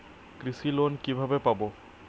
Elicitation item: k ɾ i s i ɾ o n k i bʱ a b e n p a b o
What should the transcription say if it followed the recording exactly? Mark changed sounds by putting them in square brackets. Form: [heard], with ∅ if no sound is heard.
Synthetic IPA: k ɾ i s i [l] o n k i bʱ a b e [∅] p a b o

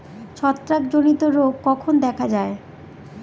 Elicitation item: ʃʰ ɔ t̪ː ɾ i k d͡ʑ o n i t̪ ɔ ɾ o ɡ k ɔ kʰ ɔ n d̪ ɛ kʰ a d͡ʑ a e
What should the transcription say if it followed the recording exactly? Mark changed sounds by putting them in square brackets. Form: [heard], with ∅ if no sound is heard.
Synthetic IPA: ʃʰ ɔ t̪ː ɾ [a] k d͡ʑ o n i t̪ [o] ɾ o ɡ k ɔ kʰ [o] n d̪ ɛ kʰ a d͡ʑ a e

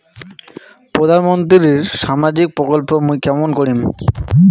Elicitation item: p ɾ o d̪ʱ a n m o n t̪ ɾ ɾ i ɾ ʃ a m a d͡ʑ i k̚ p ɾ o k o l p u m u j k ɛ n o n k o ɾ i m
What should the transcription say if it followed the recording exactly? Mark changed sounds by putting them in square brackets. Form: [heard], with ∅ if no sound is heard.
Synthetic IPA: p ɾ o d̪ʱ a n m o n t̪ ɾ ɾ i ɾ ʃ a m a d͡ʑ i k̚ p ɾ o k o l p [o] m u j k ɛ [m] o n k o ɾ i m

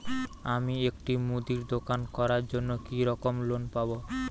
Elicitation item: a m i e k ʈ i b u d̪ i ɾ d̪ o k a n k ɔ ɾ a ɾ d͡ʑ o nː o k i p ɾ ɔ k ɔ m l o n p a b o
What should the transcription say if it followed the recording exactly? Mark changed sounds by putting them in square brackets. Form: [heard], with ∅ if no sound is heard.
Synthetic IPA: a m i e k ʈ i [m] u d̪ i ɾ d̪ o k a n k ɔ ɾ a ɾ d͡ʑ o nː o k i [∅] ɾ ɔ k [o] m l o n p a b o

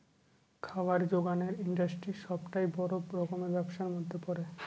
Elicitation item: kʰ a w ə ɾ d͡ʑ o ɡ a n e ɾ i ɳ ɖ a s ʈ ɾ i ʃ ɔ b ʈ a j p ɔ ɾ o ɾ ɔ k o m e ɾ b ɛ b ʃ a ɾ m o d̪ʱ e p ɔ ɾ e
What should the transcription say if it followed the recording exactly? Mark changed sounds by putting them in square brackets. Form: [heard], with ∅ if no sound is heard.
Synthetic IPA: kʰ a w [a] ɾ d͡ʑ o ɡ a n e ɾ i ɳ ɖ a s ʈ ɾ i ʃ ɔ b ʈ a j [b] ɔ ɾ o ɾ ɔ k o m e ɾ b ɛ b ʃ a ɾ m o [d̪ʱː] e p ɔ ɾ e

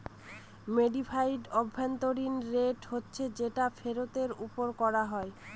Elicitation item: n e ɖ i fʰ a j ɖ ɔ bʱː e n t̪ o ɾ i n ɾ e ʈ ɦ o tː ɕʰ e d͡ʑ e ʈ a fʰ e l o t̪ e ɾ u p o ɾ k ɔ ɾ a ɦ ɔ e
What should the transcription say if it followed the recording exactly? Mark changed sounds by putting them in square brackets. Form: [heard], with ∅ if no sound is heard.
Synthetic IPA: [m] e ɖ i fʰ a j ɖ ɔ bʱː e n t̪ o ɾ i n ɾ e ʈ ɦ o tː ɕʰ e d͡ʑ e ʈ a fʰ e [ɾ] o t̪ e ɾ u p o ɾ k ɔ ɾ a ɦ ɔ e

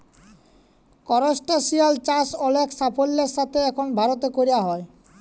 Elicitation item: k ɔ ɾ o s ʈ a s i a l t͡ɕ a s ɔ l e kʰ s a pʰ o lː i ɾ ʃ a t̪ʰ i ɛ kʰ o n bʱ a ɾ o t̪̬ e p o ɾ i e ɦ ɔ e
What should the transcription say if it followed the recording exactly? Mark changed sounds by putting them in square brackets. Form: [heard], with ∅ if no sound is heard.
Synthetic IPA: k ɔ ɾ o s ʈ a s i a l t͡ɕ a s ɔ l e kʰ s a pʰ o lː [e] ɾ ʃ a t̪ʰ [e] ɛ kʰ o n bʱ a ɾ o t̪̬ e [k] o ɾ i [a] ɦ ɔ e

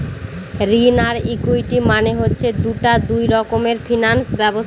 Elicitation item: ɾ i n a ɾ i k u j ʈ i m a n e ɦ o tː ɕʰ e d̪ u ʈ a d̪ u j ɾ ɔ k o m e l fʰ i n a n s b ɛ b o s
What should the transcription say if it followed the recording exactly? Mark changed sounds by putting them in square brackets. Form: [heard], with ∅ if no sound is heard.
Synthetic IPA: ɾ i n a ɾ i k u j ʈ i m a n e ɦ o tː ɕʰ e d̪ u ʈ a d̪ u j ɾ ɔ k o m e [ɾ] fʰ i n a n s b ɛ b o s

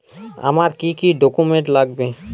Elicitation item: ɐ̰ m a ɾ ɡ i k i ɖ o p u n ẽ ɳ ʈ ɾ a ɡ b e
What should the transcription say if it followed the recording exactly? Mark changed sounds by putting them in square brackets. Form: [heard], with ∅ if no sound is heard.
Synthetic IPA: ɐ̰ m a ɾ [k] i k i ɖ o [k] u [m] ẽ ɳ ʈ [l] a ɡ b e

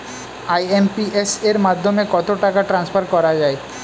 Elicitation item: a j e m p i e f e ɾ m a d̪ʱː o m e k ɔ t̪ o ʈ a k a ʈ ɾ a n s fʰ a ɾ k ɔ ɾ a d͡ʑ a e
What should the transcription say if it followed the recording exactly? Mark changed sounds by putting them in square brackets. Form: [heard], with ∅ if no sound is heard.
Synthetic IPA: a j e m p i e [s] e ɾ m a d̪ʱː o m e k ɔ t̪ o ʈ a k a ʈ ɾ a n s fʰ a ɾ k ɔ ɾ a d͡ʑ a e

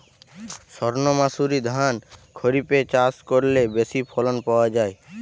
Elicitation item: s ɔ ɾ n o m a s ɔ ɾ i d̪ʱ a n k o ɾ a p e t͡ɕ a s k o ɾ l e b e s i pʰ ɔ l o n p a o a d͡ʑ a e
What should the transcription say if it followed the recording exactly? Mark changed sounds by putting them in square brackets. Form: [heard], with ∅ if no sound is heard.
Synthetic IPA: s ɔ ɾ n o m a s [u] ɾ i d̪ʱ a n [kʰ] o ɾ [i] p e t͡ɕ a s k o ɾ l e b e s i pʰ ɔ l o n p a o a d͡ʑ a e

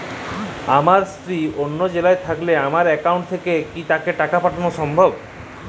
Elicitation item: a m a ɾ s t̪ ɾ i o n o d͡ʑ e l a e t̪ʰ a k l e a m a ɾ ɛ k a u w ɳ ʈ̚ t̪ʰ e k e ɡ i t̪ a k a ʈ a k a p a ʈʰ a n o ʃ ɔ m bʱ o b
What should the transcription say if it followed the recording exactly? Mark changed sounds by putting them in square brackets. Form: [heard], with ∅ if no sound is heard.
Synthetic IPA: a m a ɾ s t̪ ɾ i o [nː] o d͡ʑ e l a e t̪ʰ a k l e a m a ɾ ɛ k a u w ɳ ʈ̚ t̪ʰ e k e [k] i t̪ a k [e] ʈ a k a p a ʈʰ a n o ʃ ɔ m bʱ o b

